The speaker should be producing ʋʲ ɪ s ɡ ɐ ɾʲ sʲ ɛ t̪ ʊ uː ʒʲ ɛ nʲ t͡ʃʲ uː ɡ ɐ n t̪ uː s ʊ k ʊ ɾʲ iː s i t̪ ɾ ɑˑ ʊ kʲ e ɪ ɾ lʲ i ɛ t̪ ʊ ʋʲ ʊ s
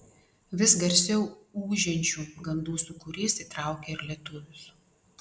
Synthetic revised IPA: ʋʲ ɪ s ɡ ɐ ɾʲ sʲ ɛ ʊ uː ʒʲ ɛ nʲ t͡ʃʲ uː ɡ ɐ n d̪ uː s ʊ k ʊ ɾʲ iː s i t̪ ɾ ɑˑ ʊ kʲ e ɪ ɾ lʲ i ɛ t̪ ʊ ʋʲ ʊ s